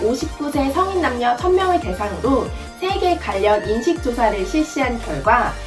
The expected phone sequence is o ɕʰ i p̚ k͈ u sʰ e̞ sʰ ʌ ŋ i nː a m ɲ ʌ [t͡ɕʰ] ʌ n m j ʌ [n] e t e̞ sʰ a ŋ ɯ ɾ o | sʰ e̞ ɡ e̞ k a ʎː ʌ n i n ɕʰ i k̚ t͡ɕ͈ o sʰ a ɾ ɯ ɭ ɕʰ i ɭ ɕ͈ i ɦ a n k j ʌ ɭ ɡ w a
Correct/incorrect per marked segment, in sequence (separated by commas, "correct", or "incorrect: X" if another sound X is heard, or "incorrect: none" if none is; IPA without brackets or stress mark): correct, incorrect: ŋ